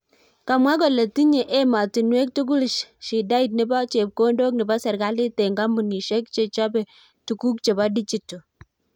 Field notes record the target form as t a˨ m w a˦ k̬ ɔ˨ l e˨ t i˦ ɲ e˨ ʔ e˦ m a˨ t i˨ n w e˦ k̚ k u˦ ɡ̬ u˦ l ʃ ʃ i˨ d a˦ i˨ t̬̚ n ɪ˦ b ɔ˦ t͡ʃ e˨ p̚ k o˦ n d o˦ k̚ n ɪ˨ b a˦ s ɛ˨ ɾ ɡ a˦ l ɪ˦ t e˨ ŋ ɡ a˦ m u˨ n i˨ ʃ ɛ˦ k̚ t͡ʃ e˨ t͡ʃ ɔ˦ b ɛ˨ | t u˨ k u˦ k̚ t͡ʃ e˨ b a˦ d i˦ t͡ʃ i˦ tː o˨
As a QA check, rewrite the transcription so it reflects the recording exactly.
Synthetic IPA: k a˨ m w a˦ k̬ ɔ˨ l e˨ t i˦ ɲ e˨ ʔ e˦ m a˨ t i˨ n w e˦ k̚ t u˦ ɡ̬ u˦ l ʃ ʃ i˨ d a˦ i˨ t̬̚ n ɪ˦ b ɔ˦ t͡ʃ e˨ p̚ k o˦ n d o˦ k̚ n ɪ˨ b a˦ s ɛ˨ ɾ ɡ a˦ l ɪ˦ t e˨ ŋ ɡ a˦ m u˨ n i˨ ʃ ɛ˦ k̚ t͡ʃ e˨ t͡ʃ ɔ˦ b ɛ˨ | t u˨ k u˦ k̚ t͡ʃ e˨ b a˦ d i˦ t͡ʃ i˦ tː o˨